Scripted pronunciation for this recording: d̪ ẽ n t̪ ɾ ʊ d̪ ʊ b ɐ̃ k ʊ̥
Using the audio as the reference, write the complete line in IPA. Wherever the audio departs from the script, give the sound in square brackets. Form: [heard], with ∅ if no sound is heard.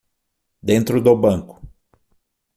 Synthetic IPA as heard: d̪ ẽ n t̪ ɾ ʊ d̪ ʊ b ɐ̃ k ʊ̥